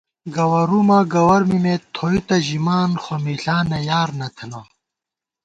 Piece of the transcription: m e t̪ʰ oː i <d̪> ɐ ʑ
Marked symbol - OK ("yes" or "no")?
no